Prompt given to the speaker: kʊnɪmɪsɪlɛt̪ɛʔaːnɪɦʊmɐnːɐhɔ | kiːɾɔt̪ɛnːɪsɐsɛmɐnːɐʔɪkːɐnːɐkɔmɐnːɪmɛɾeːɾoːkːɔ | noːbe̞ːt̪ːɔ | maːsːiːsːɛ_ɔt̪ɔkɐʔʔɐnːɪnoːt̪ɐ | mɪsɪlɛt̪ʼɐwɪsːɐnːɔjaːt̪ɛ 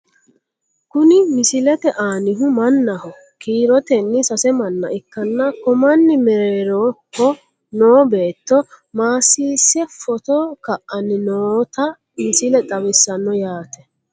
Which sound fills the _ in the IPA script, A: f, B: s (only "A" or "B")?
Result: A